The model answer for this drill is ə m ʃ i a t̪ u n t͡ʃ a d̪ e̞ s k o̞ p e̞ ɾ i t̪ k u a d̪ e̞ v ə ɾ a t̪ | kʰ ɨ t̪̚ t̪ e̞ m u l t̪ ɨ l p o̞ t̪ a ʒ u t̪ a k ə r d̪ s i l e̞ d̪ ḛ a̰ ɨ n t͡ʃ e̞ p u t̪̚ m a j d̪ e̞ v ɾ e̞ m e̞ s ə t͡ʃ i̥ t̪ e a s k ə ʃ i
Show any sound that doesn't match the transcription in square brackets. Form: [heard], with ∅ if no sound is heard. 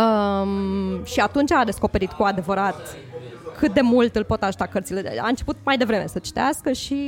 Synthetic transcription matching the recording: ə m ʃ i a t̪ u n t͡ʃ a d̪ e̞ s k o̞ p e̞ ɾ i t̪ k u a d̪ e̞ v ə ɾ a t̪ | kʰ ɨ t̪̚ [d̪] e̞ m u l t̪ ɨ l p o̞ t̪ a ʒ u t̪ a k ə r [t̪] s i l e̞ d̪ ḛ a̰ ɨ n t͡ʃ e̞ p u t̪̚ m a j d̪ e̞ v ɾ e̞ m e̞ s ə t͡ʃ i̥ t̪ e a s k ə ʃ i